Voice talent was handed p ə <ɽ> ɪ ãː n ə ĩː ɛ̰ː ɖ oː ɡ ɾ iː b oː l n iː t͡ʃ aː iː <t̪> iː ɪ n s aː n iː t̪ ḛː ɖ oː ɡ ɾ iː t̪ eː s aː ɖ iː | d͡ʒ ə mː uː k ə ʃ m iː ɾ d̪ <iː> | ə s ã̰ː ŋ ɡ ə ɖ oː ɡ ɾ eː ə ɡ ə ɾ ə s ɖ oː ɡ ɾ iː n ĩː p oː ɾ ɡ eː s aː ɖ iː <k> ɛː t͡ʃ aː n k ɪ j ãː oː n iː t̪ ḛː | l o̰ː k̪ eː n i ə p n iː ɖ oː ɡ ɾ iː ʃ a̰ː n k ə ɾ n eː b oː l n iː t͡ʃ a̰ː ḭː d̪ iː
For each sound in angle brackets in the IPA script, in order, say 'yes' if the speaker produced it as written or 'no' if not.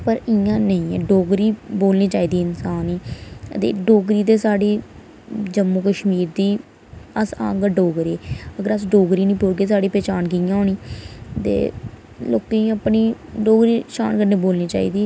no, no, yes, no

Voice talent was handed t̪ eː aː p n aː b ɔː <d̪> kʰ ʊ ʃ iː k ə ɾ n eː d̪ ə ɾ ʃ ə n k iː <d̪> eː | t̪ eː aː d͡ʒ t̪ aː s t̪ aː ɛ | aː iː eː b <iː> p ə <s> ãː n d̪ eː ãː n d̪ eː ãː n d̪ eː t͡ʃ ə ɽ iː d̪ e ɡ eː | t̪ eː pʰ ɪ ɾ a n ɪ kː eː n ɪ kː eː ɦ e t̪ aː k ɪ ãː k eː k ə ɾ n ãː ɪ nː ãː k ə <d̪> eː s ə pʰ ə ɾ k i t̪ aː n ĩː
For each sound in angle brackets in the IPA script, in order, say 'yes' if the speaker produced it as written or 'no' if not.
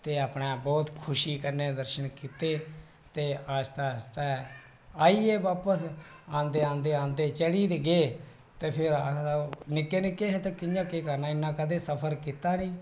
no, no, no, yes, yes

